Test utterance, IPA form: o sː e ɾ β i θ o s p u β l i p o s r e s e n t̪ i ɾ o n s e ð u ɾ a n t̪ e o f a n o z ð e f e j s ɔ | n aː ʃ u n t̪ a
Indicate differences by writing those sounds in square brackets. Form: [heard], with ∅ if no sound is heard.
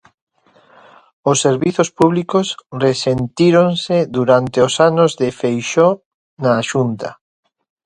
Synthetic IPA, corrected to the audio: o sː e ɾ β i θ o s p u β l i [k] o s r e s e n t̪ i ɾ o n s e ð u ɾ a n t̪ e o [s] a n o z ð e f e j [ʃ] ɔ | n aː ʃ u n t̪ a